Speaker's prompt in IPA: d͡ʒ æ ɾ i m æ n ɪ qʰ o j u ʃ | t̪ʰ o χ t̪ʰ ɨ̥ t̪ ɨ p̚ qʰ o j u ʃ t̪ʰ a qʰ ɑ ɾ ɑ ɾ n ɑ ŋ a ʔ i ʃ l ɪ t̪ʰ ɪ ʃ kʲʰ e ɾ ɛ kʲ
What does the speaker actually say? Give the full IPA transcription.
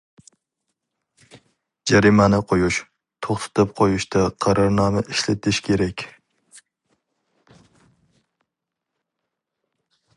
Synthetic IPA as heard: d͡ʒ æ ɾ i m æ n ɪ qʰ o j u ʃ | t̪ʰ o χ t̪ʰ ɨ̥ t̪ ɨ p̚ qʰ o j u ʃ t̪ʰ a qʰ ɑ ɾ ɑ ɾ n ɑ m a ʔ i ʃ l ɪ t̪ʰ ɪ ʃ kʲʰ e ɾ ɛ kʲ

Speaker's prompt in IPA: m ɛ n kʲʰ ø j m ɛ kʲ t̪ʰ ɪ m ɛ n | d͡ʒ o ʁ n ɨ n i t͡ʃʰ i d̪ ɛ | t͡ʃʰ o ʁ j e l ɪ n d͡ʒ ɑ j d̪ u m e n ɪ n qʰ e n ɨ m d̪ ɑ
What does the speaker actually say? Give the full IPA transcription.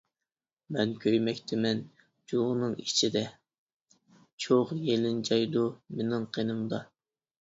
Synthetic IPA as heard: m ɛ n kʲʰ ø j m ɛ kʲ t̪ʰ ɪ m ɛ n | d͡ʒ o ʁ n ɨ ŋ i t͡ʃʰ i d̪ ɛ | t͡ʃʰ o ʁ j e l ɪ n d͡ʒ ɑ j d̪ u m e n ɪ ŋ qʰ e n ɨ m d̪ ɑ

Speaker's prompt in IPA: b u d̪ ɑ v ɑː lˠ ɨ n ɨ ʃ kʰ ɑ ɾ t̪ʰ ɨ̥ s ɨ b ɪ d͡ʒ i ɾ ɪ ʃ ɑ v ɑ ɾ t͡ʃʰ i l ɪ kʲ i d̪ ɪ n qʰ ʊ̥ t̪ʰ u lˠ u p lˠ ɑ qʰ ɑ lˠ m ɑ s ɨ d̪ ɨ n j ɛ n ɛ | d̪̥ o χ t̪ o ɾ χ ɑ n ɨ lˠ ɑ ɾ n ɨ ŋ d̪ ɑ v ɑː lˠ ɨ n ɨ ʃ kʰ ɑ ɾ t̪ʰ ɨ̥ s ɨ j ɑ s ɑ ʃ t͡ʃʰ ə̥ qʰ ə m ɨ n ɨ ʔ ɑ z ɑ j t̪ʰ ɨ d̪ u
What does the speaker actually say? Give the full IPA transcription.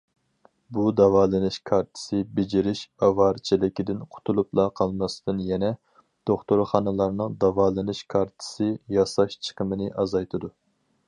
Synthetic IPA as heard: b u d̪ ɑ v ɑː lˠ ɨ n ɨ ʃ kʰ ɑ ɾ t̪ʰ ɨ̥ s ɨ b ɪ d͡ʒ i ɾ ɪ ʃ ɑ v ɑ ɾ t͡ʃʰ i l ɪ kʲ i d̪ ɪ n qʰ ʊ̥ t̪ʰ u lˠ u p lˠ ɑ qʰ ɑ lˠ m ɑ s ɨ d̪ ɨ n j ɛ n ɛ | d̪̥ o χ t̪ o ɾ χ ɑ n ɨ lˠ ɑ ɾ n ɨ ŋ d̪ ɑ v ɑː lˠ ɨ n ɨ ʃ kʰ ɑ ɾ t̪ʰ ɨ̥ s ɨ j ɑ s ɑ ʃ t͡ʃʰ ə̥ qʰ ə m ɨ n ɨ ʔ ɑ z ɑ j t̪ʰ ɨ d̪ u

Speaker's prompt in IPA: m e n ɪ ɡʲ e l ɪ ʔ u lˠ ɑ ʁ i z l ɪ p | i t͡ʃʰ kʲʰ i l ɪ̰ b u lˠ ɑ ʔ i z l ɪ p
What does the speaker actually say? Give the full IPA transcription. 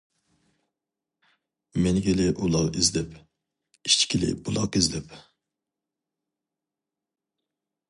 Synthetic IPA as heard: m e n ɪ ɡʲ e l ɪ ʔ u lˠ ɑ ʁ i z l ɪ p | i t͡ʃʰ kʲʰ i l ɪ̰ b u lˠ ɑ q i z l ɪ p

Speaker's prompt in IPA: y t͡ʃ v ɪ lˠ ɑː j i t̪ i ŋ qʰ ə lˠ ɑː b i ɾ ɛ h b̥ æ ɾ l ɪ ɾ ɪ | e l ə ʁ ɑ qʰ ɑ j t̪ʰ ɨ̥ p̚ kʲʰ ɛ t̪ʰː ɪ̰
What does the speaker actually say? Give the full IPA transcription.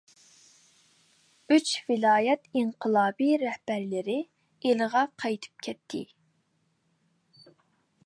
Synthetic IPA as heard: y t͡ʃ v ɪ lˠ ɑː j ɛ t̪ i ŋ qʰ ə lˠ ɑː b i ɾ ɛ h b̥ æ ɾ l ɪ ɾ ɪ | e l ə ʁ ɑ qʰ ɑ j t̪ʰ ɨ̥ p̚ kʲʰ ɛ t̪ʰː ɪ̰

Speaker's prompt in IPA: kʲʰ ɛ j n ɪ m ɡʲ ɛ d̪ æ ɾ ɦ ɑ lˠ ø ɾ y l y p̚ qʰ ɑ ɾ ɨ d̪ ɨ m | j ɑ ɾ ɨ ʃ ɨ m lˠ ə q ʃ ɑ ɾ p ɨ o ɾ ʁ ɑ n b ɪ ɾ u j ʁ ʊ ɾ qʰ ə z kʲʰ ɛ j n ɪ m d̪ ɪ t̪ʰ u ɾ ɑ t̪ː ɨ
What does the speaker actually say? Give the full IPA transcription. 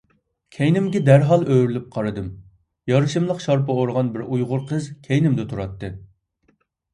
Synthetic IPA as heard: kʲʰ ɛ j n ɪ m ɡʲ ɛ d̪ æ ɾ ɦ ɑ lˠ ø ɾ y l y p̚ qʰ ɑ ɾ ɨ d̪ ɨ m | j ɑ ɾ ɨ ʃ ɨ m lˠ ə q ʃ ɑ ɾ p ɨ o ɾ ʁ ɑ n b ɪ ɾ u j ʁ ʊ ɾ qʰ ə z kʲʰ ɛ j n ɪ m d̪ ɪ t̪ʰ u ɾ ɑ t̪ː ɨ

